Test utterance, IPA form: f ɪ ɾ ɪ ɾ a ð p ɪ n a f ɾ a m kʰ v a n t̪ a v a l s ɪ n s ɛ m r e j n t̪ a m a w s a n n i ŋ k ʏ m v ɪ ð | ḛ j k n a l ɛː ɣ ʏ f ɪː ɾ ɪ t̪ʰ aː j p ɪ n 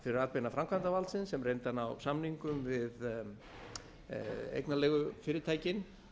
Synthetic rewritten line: f ɪ ɾ ɪ ɾ a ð p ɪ n a f ɾ a m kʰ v a n t̪ a v a l s ɪ n s ɛ m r e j n t̪ a n a w s a m n i ŋ k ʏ m v ɪ ð | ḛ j k n a l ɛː ɣ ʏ f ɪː ɾ ɪ t̪ʰ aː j c ɪ n